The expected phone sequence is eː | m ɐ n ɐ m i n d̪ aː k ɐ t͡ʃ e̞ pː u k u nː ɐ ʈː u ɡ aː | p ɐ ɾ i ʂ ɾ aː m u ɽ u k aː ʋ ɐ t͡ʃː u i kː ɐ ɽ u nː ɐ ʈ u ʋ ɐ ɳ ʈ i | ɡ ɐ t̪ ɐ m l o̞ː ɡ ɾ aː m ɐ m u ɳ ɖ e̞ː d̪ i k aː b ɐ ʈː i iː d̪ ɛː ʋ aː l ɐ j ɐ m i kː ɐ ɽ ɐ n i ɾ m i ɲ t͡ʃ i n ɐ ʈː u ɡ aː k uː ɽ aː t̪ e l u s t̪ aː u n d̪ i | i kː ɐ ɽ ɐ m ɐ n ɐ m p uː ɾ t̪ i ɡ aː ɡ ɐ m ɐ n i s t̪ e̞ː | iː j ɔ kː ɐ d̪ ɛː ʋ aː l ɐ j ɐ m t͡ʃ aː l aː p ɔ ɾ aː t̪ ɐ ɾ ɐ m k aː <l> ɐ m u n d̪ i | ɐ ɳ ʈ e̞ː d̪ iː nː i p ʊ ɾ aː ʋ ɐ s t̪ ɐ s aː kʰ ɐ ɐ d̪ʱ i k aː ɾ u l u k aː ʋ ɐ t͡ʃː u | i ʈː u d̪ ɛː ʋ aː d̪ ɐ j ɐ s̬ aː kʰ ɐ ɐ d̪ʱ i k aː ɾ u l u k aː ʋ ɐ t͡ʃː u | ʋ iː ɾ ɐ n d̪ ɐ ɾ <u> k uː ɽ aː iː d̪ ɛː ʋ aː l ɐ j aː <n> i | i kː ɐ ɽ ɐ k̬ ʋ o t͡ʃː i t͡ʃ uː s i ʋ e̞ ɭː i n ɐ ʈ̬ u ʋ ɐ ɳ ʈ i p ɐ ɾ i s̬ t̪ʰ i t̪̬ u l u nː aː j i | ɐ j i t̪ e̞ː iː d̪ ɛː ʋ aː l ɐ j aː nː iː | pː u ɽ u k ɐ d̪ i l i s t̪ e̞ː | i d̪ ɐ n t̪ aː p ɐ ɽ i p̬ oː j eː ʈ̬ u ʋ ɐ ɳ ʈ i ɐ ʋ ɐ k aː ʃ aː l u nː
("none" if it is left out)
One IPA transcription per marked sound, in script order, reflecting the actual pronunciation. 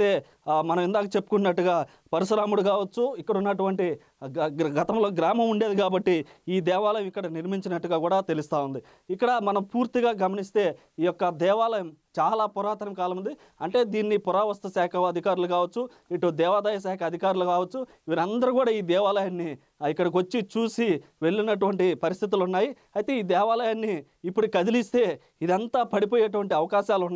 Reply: l, u, nː

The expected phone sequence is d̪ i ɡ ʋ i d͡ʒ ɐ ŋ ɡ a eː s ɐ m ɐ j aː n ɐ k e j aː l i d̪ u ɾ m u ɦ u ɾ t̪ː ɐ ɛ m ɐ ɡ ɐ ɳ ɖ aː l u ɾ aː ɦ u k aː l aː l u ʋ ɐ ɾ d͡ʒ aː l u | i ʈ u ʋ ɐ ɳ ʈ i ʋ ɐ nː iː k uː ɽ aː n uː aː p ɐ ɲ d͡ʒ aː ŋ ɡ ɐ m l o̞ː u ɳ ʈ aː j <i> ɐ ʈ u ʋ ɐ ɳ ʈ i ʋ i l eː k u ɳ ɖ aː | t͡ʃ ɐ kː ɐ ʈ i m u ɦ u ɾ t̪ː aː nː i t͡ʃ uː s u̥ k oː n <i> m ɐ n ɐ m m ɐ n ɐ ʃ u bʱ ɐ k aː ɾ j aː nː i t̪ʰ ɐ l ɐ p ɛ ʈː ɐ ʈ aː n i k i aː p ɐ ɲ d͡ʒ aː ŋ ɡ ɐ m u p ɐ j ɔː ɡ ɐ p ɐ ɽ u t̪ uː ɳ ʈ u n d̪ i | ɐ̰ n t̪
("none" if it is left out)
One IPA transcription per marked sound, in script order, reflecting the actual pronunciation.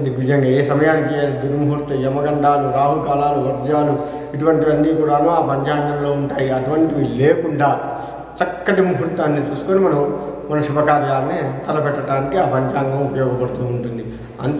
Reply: i, i

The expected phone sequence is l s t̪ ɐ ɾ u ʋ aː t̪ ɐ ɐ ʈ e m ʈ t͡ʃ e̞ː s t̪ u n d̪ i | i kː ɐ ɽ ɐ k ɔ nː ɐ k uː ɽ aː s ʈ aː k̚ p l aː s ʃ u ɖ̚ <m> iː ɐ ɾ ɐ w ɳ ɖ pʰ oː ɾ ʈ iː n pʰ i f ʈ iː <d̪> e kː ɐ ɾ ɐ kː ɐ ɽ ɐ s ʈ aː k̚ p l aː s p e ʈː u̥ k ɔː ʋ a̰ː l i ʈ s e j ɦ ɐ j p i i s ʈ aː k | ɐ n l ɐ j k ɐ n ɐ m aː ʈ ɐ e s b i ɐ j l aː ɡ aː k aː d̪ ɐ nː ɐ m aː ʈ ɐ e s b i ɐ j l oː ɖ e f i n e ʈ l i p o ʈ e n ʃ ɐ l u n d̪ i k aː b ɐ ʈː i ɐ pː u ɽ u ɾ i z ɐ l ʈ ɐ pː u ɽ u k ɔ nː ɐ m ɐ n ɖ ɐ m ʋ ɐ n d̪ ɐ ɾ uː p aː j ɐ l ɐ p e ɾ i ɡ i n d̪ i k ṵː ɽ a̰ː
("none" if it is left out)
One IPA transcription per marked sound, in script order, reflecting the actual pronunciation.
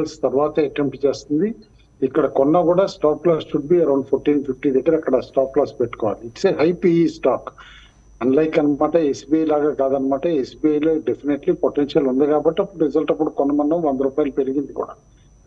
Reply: b, d̪

